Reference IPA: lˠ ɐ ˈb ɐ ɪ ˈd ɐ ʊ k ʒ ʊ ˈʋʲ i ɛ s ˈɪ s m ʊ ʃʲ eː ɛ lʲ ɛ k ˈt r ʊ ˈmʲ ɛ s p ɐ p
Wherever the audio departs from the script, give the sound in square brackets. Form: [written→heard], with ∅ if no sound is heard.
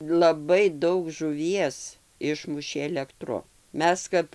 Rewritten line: lˠ ɐ ˈb ɐ ɪ ˈd ɐ ʊ k ʒ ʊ ˈʋʲ i ɛ s ˈɪ [s→ʃ] m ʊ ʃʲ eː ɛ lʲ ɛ k ˈt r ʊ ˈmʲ ɛ s [p→k] ɐ p